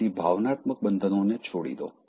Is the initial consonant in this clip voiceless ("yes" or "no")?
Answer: no